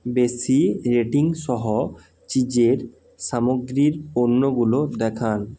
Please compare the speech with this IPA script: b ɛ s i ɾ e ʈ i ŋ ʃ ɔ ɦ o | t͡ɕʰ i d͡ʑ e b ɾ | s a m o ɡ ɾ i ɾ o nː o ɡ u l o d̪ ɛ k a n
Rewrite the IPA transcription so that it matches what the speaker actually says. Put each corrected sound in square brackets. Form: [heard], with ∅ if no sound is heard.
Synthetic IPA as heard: b [e] s i ɾ e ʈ i ŋ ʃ ɔ ɦ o | [t͡ɕ] i d͡ʑ e [∅] ɾ | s a m o ɡ ɾ i ɾ o nː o ɡ u l o d̪ ɛ [kʰ] a n